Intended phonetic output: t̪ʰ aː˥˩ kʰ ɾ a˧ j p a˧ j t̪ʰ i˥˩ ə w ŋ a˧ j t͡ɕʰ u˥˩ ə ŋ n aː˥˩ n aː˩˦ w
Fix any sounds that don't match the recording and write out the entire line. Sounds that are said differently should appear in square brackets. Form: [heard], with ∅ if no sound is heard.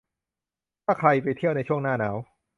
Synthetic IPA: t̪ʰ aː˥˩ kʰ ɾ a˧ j p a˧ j t̪ʰ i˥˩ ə w [n] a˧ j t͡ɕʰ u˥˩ ə ŋ n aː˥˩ n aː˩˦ w